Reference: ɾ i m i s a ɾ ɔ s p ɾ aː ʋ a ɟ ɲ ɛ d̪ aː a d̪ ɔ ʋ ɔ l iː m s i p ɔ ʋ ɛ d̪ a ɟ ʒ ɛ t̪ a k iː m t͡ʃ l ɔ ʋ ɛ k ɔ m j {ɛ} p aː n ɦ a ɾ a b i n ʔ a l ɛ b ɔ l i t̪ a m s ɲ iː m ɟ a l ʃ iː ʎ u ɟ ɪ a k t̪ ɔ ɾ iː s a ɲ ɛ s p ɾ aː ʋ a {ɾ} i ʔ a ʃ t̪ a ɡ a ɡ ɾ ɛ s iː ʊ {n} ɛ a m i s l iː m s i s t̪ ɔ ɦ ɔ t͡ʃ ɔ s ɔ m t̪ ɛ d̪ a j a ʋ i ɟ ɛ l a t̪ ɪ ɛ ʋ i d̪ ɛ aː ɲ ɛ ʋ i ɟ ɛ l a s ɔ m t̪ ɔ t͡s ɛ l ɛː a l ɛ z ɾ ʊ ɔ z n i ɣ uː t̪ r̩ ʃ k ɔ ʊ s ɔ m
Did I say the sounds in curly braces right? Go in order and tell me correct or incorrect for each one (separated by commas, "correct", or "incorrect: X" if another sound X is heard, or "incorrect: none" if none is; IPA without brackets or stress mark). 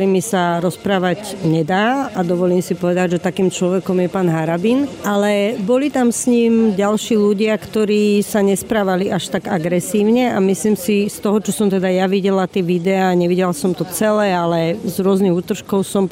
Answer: correct, incorrect: l, incorrect: ɲ